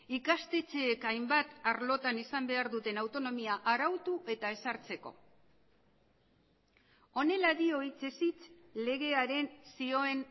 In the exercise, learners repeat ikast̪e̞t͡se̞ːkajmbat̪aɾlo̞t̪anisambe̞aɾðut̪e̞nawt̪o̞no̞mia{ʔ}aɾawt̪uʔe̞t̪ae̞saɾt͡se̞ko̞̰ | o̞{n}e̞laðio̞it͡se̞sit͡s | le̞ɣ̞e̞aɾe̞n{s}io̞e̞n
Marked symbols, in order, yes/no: yes, yes, yes

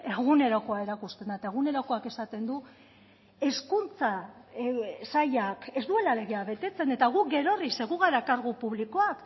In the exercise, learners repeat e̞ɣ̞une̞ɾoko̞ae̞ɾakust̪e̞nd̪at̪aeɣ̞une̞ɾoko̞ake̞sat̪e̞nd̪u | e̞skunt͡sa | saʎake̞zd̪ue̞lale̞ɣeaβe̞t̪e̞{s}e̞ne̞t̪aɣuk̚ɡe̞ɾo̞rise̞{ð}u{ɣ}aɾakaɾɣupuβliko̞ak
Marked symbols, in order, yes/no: no, no, yes

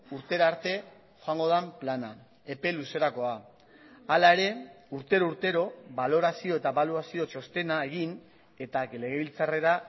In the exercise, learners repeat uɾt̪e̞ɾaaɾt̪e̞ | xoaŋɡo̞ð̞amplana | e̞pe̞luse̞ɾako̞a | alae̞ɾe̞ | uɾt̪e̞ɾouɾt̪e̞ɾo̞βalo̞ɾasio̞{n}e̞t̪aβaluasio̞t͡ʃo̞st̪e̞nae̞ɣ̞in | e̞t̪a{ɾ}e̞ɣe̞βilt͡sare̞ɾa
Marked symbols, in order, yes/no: no, no

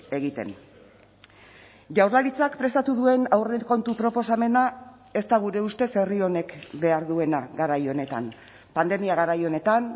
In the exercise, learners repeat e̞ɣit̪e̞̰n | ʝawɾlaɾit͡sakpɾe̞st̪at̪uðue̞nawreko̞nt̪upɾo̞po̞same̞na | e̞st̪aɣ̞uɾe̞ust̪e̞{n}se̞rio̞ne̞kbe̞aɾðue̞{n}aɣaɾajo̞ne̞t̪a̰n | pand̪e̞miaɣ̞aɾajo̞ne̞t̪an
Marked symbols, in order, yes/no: no, yes

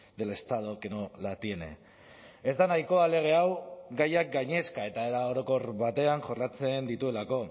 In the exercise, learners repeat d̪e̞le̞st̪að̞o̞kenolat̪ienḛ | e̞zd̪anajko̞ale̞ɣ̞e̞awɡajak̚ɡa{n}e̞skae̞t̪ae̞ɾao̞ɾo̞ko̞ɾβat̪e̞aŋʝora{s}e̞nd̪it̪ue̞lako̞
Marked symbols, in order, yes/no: no, no

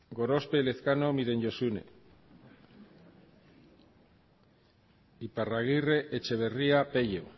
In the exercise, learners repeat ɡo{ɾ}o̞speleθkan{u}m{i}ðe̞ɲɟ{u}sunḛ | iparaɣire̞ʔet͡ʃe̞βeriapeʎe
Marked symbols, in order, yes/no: yes, no, yes, no

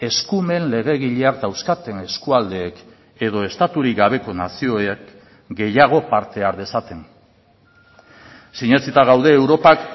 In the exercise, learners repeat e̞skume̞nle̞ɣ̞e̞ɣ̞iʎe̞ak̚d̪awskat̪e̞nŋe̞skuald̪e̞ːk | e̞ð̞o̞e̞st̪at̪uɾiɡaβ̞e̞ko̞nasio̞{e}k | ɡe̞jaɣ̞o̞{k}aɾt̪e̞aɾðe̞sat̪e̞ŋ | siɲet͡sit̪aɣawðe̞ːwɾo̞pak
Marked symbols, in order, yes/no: yes, no

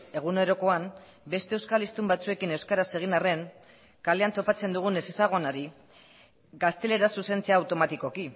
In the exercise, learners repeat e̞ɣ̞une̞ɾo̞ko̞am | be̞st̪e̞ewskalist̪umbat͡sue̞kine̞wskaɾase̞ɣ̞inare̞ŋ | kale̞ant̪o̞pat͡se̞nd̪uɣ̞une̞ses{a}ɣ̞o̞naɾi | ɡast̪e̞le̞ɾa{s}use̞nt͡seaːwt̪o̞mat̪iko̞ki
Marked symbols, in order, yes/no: yes, yes

